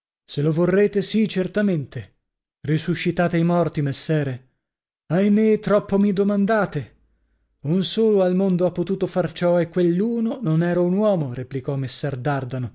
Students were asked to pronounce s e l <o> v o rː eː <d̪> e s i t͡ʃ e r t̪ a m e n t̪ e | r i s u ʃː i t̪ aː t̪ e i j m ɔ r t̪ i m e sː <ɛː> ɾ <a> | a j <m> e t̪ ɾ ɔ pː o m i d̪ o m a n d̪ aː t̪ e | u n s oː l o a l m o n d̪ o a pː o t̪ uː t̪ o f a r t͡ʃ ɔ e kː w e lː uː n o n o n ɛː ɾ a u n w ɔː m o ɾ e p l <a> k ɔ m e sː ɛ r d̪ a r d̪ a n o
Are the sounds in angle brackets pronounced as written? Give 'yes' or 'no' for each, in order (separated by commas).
yes, no, yes, no, yes, no